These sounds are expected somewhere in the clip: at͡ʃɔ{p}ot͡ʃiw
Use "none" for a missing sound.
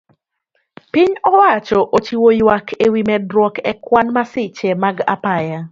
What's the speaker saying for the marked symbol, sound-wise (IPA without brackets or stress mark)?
ʔ